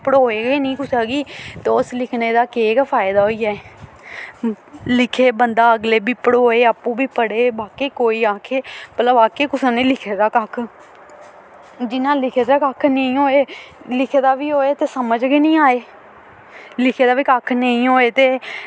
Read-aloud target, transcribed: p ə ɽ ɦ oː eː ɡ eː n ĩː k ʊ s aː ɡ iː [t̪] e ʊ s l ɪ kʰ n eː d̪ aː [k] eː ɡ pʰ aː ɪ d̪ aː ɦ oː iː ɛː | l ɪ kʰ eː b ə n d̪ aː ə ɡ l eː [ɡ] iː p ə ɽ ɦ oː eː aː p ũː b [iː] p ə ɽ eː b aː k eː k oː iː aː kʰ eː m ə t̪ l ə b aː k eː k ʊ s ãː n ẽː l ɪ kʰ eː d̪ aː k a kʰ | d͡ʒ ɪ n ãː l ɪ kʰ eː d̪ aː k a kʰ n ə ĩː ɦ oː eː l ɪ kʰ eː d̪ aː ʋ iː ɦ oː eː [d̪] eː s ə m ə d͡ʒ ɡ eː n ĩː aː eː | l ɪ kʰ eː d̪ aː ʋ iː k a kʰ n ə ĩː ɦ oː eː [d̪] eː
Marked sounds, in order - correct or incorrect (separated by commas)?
correct, correct, incorrect, correct, incorrect, incorrect